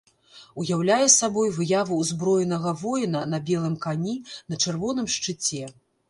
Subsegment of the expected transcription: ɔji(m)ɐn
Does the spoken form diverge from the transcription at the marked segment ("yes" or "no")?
yes